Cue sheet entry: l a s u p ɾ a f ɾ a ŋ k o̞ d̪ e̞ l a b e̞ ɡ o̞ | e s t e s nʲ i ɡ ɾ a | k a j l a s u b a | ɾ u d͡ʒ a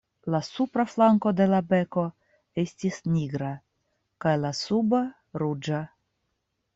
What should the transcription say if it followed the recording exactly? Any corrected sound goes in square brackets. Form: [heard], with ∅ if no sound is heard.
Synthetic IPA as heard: l a s u p ɾ a f [l] a ŋ k o̞ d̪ e̞ l a b e̞ [k] o̞ | e s t [i] s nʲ i ɡ ɾ a | k a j l a s u b a | ɾ u d͡ʒ a